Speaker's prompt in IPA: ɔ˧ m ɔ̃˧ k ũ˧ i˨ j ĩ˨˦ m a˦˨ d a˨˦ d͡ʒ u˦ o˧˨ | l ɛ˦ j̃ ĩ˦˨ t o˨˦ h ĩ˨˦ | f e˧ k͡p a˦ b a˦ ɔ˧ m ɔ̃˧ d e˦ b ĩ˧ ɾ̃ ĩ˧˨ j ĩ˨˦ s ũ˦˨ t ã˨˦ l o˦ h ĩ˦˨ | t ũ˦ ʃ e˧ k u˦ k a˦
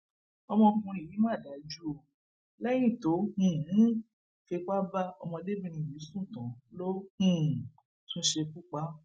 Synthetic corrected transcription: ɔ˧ m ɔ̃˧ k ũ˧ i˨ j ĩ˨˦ m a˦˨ d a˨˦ d͡ʒ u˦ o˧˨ | l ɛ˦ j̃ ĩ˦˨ t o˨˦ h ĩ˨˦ | f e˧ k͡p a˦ b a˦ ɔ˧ m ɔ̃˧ d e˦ b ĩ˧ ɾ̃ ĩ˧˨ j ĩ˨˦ s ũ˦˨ t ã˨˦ l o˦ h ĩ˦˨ | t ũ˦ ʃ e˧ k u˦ k͡p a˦